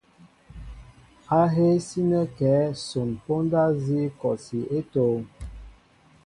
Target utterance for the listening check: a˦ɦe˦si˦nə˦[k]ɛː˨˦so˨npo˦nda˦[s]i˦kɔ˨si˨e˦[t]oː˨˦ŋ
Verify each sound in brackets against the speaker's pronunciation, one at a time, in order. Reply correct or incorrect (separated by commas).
correct, incorrect, correct